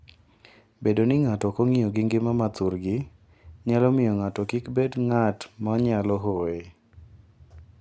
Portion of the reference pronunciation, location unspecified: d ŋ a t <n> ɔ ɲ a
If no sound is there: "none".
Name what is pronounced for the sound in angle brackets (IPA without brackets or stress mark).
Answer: m